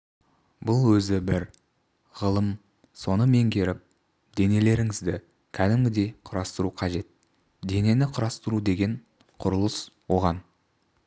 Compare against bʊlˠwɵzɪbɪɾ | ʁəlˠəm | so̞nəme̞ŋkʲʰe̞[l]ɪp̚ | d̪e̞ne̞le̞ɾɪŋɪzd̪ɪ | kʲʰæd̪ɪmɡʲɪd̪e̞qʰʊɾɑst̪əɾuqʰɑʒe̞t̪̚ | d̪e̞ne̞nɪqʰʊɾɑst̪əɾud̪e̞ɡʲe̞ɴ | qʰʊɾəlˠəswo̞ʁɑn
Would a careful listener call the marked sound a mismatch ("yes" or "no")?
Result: yes